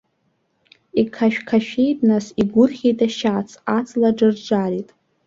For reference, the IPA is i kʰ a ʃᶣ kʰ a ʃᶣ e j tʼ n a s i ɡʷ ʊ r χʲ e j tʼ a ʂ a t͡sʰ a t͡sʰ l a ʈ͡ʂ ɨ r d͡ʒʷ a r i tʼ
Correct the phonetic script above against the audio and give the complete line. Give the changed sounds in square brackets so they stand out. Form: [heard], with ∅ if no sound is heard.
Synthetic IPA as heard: i kʰ a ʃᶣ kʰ a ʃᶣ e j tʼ n a s i ɡʷ ʊ r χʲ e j tʼ a [ʃ] a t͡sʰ a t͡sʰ l a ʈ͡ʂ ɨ r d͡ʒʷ a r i tʼ